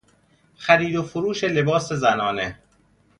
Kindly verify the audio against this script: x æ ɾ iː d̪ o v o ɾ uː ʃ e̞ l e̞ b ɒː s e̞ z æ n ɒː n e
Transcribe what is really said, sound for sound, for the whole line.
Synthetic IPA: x æ ɾ iː d̪ o f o ɾ uː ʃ e̞ l e̞ b ɒː s e̞ z æ n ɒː n e